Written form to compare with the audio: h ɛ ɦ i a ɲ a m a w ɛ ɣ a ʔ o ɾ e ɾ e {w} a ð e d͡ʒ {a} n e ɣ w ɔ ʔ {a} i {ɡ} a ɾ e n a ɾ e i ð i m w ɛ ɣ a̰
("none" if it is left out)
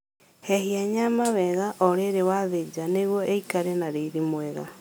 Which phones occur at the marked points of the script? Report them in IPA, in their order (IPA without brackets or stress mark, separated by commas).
w, a, e, k